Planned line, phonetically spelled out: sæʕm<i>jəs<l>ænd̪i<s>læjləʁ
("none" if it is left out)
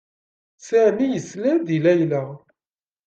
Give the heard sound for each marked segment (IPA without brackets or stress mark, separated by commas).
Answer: i, l, none